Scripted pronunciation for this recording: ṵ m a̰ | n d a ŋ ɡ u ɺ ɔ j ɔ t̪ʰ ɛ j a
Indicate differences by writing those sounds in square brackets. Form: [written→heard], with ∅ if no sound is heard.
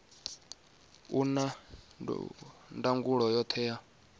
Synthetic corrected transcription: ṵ [m→n] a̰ | n d a ŋ ɡ u ɺ ɔ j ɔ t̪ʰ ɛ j a